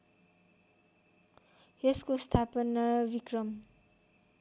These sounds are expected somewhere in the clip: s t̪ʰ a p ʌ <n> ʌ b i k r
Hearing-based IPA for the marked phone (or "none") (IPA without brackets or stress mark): n